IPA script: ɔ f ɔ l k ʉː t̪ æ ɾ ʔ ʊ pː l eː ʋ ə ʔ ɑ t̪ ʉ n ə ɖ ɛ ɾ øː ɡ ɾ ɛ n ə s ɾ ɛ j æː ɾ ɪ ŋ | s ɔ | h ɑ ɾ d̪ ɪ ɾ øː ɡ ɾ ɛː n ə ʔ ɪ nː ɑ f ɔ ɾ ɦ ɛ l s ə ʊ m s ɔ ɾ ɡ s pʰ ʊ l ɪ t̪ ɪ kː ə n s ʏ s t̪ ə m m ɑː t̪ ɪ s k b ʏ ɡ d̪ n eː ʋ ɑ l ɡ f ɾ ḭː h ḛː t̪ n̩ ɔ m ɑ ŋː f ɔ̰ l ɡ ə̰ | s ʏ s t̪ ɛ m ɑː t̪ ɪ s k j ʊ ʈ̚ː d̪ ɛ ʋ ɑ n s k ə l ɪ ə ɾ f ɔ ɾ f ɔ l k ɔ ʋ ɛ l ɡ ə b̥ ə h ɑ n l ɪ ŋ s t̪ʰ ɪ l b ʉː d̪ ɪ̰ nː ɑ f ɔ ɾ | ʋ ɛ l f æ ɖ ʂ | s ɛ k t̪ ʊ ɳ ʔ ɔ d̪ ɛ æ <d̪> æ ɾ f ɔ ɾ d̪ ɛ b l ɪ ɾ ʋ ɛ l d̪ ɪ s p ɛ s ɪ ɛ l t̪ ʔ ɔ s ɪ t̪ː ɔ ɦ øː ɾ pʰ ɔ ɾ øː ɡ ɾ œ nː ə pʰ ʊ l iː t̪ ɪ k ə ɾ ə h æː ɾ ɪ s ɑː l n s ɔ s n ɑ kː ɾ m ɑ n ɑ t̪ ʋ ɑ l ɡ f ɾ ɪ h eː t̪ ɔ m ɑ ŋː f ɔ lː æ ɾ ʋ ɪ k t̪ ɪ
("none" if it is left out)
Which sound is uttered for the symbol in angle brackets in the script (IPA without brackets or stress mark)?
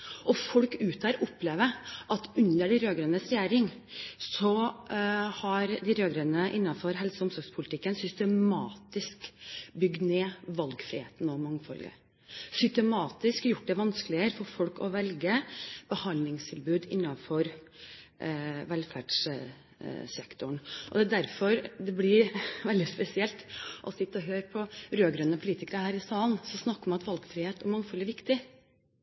d̪